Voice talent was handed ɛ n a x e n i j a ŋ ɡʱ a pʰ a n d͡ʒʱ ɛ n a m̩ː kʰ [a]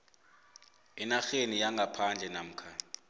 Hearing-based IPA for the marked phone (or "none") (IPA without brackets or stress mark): a